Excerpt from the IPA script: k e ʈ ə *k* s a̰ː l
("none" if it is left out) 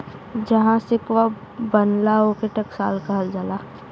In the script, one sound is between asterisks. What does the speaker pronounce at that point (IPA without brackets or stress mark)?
k